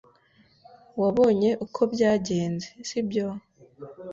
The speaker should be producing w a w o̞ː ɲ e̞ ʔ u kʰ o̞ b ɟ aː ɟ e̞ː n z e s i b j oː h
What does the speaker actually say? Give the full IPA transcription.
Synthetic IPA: w a β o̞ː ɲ e̞ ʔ u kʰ o̞ b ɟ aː ɟ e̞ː n z e s i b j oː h